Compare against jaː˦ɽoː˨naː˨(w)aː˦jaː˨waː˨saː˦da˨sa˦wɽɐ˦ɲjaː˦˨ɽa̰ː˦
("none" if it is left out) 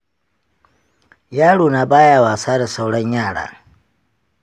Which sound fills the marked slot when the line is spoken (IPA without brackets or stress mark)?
b